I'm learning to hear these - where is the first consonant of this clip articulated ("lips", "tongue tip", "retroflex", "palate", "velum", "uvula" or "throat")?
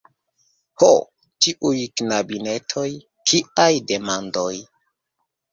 throat